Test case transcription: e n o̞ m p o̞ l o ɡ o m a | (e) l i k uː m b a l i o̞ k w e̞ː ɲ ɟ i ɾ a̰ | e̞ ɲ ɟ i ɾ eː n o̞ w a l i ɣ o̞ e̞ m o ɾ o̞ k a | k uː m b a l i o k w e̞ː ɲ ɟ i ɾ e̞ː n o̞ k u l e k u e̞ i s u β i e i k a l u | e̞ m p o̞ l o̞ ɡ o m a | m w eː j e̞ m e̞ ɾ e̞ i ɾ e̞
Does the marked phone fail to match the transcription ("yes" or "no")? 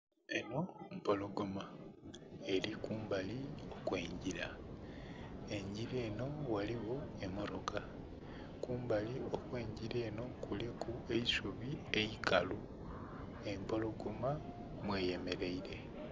no